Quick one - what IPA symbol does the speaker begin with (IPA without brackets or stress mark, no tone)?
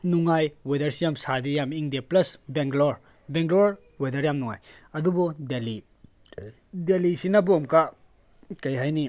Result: n